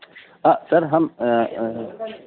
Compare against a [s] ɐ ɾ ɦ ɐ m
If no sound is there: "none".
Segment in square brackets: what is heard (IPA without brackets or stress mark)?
s